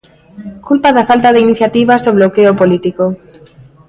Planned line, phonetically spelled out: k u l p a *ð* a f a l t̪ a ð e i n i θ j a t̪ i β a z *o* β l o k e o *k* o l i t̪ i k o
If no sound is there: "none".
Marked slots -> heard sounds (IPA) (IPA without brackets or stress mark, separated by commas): ð, o, p